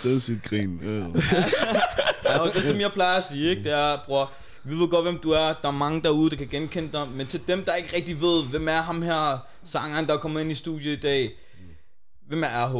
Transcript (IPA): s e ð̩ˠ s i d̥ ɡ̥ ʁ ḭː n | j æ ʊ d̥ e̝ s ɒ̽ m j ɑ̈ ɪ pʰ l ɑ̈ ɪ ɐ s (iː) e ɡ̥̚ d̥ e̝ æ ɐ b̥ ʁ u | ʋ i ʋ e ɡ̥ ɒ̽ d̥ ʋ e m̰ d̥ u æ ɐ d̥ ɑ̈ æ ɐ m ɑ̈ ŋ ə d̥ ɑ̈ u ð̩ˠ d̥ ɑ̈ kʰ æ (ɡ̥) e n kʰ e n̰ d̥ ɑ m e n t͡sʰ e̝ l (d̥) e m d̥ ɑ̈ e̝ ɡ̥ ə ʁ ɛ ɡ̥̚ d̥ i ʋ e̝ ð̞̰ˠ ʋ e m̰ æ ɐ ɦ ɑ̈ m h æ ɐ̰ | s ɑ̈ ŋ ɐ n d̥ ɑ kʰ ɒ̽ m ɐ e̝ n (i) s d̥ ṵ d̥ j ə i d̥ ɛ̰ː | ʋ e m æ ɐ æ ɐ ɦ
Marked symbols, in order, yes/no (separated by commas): yes, yes, yes, yes